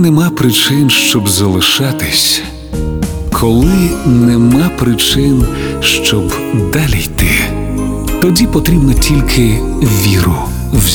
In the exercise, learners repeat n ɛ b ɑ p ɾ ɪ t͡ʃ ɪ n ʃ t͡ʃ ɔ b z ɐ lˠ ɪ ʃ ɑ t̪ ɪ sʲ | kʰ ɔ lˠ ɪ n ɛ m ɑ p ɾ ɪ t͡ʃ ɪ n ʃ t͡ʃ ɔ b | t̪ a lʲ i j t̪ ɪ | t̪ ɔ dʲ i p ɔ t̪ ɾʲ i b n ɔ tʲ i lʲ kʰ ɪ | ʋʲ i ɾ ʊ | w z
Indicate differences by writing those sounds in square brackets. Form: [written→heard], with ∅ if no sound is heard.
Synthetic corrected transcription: n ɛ [b→m] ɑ p ɾ ɪ t͡ʃ ɪ n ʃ t͡ʃ ɔ b z ɐ lˠ ɪ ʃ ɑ t̪ ɪ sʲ | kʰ ɔ lˠ ɪ n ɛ m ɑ p ɾ ɪ t͡ʃ ɪ n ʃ t͡ʃ ɔ b | [t̪→d̪] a lʲ i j t̪ ɪ | t̪ ɔ dʲ i p ɔ t̪ ɾʲ i b n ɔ tʲ i lʲ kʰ ɪ | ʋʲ i ɾ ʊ | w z